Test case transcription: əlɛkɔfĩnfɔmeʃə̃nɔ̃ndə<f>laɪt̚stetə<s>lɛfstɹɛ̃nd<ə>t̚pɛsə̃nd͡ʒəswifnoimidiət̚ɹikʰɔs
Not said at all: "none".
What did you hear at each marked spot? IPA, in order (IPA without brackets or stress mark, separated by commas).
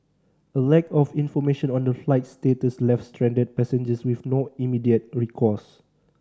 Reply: f, s, ə